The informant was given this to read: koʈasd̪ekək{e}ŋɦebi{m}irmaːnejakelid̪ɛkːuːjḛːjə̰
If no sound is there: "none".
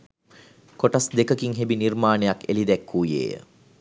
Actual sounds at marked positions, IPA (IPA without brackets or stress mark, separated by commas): i, n